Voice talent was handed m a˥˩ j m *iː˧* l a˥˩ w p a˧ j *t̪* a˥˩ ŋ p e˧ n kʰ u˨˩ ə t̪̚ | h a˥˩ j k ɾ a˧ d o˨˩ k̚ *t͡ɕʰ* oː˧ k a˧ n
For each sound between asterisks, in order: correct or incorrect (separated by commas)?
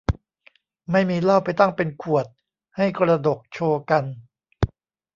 correct, correct, correct